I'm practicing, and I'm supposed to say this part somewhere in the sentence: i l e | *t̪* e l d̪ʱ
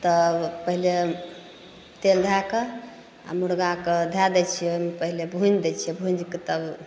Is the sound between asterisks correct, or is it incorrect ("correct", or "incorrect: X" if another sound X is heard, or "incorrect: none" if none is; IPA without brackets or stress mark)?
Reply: correct